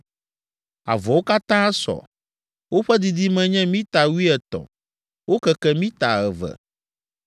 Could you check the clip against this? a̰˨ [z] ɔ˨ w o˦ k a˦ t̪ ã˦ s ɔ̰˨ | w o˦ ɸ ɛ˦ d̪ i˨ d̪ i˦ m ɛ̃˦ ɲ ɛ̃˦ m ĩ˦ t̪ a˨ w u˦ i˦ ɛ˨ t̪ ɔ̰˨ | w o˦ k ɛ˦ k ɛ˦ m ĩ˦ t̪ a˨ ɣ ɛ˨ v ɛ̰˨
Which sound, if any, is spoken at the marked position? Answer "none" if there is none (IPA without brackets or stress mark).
v